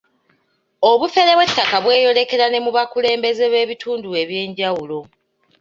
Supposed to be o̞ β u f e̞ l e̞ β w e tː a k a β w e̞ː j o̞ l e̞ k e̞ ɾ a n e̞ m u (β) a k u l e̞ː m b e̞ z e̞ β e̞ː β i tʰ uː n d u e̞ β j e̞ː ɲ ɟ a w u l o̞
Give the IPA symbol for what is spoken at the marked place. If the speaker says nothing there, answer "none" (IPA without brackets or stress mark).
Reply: β